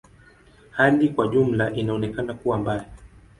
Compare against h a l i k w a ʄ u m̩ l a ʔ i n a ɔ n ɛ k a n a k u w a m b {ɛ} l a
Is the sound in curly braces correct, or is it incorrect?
incorrect